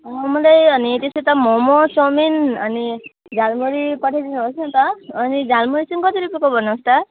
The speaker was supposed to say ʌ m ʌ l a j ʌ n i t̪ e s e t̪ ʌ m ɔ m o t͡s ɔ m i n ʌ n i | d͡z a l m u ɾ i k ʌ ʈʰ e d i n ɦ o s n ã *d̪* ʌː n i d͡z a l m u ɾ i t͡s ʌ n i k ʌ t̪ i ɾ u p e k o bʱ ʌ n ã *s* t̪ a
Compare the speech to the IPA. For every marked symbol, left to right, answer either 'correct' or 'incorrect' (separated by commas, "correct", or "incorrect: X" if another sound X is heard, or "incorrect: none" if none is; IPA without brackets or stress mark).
incorrect: t̪, correct